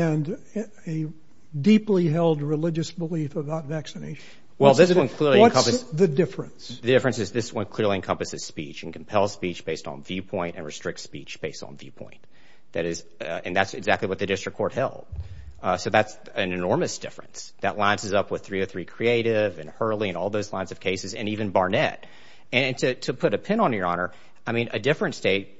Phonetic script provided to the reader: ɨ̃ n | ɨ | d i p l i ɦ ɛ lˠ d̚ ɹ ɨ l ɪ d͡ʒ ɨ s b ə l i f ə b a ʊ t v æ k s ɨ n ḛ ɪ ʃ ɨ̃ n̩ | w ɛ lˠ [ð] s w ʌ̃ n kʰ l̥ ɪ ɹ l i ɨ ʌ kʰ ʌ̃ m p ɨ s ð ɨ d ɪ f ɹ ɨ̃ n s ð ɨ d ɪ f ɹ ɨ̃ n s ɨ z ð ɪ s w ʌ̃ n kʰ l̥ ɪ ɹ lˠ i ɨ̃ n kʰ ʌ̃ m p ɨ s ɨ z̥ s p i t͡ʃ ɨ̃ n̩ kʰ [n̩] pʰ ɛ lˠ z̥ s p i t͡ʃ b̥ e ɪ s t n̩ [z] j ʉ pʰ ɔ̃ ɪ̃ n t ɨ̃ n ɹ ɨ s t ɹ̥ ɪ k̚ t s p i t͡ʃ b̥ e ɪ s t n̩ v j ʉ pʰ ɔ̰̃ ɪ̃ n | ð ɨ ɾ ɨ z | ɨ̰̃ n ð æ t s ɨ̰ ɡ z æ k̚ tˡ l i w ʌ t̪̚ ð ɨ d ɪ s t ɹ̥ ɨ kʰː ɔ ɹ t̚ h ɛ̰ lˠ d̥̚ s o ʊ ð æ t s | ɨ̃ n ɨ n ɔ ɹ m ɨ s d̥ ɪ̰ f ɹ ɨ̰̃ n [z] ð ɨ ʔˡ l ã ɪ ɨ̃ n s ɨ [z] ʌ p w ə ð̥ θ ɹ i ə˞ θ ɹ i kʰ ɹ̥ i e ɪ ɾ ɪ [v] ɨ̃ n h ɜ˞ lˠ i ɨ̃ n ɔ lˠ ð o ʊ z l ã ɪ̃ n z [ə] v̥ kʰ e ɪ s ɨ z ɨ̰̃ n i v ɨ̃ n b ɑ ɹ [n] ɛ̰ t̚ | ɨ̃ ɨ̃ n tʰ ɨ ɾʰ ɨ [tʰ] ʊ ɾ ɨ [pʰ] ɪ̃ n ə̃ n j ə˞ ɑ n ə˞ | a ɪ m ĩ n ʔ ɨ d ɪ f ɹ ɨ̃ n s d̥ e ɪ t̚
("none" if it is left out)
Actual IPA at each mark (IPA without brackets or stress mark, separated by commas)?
ð, m̩, v, s, z, v, ʌ, n, pʰ, pʰ